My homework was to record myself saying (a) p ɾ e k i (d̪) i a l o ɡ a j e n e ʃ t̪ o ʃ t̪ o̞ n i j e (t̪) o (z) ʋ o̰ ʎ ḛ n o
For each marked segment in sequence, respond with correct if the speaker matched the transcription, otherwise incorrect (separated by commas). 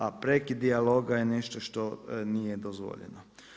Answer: correct, correct, incorrect, correct